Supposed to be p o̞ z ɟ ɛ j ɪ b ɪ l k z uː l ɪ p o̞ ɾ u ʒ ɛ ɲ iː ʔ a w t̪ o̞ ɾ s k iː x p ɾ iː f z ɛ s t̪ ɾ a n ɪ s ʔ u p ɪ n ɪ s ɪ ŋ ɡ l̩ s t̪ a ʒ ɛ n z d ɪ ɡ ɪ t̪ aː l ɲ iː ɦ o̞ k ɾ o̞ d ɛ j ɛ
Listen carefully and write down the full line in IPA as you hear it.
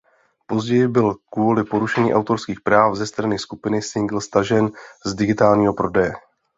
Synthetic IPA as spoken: p o̞ z ɟ ɛ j ɪ b ɪ l k v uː l ɪ p o̞ ɾ u ʃ ɛ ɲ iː ʔ a w t̪ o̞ ɾ s k iː x p ɾ aː f z ɛ s t̪ ɾ a n ɪ s k u p ɪ n ɪ s ɪ ŋ ɡ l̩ s t̪ a ʒ ɛ n z d ɪ ɡ ɪ t̪ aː l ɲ iː ɦ o̞ p ɾ o̞ d ɛ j ɛ